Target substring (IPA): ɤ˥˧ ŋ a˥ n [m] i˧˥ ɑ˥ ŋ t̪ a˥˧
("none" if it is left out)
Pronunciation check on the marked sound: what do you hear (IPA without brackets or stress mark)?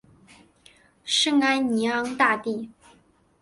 n